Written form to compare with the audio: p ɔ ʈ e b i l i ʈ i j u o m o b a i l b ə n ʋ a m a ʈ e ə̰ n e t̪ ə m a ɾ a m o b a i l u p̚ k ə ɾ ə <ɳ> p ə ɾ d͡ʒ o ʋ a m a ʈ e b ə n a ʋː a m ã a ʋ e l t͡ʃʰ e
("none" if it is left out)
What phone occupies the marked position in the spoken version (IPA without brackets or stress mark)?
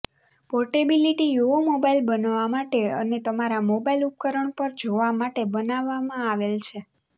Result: ɳ